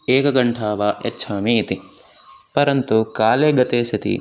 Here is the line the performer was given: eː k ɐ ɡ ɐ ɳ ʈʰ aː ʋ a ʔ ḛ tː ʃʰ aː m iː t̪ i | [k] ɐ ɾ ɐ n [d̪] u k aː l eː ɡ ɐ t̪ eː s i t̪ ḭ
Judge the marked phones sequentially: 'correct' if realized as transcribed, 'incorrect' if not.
incorrect, incorrect

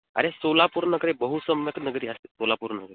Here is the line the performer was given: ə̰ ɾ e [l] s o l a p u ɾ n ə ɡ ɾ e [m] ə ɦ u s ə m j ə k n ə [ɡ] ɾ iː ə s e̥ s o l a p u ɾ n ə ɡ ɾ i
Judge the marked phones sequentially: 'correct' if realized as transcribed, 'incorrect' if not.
incorrect, incorrect, correct

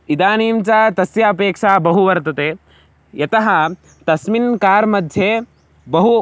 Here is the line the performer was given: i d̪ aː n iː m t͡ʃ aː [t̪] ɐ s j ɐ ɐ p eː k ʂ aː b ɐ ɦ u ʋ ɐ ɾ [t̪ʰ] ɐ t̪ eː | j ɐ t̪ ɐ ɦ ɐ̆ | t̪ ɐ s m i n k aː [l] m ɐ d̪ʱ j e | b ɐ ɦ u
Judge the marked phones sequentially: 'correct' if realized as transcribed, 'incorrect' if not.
correct, incorrect, incorrect

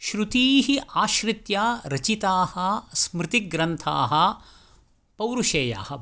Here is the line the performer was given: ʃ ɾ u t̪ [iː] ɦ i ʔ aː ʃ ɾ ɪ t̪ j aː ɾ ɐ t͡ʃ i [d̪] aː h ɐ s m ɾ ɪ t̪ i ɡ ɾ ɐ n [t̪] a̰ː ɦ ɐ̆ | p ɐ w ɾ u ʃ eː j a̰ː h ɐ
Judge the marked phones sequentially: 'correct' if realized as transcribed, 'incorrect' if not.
correct, incorrect, incorrect

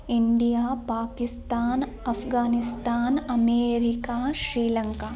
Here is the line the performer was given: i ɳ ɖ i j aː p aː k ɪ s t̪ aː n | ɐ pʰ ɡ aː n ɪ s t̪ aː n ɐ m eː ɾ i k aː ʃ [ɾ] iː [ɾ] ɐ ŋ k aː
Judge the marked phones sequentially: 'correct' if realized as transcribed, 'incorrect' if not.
correct, incorrect

